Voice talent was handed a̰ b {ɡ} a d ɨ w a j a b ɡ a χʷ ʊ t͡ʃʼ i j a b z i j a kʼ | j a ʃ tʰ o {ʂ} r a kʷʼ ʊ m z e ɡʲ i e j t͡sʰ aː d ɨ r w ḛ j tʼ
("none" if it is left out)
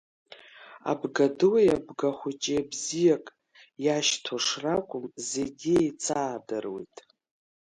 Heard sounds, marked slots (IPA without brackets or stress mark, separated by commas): ɡ, ʂ